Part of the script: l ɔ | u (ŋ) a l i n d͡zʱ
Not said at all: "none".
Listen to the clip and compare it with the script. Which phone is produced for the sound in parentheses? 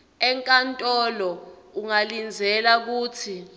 ŋ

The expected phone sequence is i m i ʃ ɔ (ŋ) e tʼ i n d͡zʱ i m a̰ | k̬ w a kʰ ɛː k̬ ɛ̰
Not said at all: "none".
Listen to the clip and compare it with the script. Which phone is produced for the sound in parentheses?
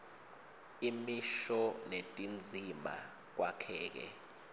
n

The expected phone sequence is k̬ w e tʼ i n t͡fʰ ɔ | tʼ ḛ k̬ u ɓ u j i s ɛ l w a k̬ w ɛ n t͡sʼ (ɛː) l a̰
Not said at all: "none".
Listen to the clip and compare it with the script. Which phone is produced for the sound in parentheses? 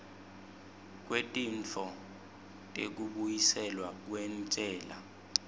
ɛː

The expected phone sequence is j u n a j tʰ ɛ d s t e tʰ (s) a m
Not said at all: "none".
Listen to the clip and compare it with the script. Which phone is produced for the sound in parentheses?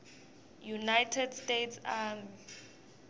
s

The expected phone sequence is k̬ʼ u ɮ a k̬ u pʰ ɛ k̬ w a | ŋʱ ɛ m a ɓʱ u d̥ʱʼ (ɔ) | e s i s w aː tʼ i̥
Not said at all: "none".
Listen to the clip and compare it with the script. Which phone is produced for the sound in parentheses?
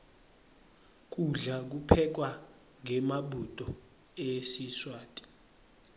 ɔ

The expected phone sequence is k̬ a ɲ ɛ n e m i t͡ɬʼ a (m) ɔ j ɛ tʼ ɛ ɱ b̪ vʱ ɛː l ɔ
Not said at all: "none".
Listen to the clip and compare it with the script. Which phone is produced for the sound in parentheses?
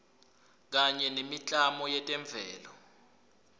m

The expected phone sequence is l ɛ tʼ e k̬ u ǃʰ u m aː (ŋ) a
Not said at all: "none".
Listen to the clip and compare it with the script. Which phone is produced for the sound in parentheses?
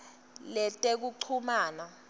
n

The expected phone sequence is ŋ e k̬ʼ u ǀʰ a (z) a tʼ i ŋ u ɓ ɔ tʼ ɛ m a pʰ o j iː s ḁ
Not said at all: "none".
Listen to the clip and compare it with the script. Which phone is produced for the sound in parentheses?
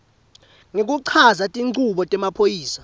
z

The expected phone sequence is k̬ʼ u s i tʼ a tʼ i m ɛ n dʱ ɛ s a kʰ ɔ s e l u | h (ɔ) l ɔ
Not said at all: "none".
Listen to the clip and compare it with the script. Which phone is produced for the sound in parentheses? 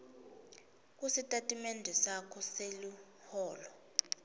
ɔː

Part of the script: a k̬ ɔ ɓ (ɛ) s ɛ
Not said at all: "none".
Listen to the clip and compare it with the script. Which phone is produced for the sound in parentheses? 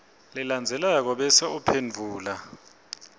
ɛ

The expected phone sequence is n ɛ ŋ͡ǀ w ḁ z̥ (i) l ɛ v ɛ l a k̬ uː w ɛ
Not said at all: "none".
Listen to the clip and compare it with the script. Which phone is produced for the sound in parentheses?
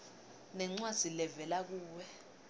i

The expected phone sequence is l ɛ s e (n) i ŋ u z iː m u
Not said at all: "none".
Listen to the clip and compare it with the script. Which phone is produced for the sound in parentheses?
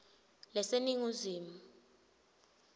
n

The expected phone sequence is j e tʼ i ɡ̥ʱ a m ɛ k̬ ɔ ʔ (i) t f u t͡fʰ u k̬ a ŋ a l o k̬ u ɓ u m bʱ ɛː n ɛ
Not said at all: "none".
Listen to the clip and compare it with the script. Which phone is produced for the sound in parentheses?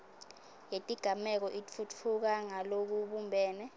i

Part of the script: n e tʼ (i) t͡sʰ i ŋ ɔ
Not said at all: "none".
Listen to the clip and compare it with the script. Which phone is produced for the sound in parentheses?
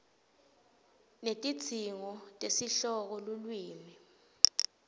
i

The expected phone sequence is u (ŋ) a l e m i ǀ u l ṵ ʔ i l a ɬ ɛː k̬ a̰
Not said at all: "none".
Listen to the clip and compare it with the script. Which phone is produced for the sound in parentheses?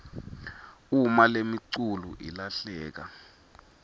m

